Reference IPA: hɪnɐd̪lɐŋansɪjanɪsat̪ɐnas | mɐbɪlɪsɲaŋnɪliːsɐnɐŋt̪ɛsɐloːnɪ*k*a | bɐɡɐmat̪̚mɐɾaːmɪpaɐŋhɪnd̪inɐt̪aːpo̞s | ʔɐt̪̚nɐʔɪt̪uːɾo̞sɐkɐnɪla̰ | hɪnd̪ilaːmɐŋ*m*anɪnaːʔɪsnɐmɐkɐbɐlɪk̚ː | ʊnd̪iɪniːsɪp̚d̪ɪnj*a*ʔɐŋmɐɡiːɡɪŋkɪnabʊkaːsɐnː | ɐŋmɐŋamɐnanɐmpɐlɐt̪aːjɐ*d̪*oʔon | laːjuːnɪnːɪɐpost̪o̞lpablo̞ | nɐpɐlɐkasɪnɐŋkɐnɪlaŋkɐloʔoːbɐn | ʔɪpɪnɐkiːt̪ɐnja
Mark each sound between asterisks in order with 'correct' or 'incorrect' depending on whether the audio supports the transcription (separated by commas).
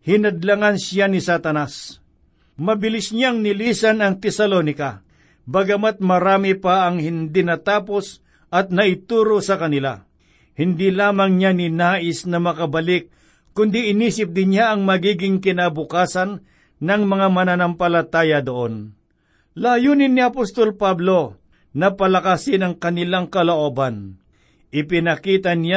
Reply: correct, incorrect, correct, correct